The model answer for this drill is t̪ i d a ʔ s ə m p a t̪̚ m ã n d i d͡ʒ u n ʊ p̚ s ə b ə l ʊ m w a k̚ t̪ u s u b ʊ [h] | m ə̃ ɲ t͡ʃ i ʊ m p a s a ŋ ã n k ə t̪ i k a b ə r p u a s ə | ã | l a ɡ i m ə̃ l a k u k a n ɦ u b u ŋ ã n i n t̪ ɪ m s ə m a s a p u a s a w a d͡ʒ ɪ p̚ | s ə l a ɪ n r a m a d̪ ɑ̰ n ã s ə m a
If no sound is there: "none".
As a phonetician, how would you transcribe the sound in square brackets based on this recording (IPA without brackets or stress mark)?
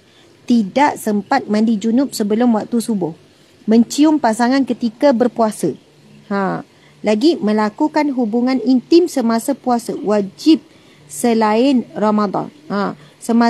h